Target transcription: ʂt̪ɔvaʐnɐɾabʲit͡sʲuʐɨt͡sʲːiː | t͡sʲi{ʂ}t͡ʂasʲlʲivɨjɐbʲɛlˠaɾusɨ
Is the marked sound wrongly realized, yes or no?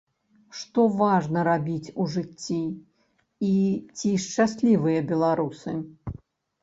no